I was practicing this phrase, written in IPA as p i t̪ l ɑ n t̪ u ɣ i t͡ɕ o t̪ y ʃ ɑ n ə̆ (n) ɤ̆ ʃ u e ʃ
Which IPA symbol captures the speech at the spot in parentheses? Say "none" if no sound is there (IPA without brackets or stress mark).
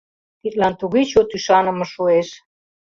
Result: m